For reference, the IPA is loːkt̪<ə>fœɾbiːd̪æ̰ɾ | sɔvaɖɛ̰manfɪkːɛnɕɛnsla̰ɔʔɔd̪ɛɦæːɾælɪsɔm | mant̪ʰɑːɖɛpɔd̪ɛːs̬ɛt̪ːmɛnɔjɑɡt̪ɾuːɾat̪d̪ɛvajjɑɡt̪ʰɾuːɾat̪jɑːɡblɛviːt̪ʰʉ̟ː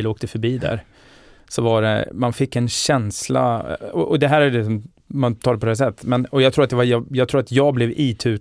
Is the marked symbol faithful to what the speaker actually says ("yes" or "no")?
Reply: yes